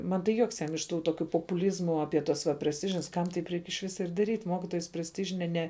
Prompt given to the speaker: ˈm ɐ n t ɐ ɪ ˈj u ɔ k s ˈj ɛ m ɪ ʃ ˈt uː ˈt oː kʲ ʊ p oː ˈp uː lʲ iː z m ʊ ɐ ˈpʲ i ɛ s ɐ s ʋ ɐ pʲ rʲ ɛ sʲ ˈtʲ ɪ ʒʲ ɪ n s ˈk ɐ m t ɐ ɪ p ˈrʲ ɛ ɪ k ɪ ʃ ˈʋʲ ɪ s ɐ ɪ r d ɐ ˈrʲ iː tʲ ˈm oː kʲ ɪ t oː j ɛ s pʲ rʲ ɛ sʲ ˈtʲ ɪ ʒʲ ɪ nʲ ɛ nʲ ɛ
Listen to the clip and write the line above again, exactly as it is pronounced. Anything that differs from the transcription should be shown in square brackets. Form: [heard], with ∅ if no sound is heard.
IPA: ˈm ɐ n t ɐ ɪ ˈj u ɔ k s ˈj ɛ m ɪ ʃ ˈt uː ˈt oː kʲ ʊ p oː ˈp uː lʲ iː z m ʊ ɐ ˈpʲ i ɛ [t] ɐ s ʋ ɐ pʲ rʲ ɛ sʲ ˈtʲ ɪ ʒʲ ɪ n s ˈk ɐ m t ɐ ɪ p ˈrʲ ɛ ɪ k ɪ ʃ ˈʋʲ ɪ s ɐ ɪ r d ɐ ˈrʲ iː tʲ ˈm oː kʲ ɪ t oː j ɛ s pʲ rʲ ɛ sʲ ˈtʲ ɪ ʒʲ ɪ nʲ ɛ nʲ ɛ